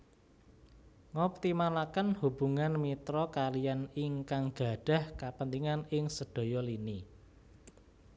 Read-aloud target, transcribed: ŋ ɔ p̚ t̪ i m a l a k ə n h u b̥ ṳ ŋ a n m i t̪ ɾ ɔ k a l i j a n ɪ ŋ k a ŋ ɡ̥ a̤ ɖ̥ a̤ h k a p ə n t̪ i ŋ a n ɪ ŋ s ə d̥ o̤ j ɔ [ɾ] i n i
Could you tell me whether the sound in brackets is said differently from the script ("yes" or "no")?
yes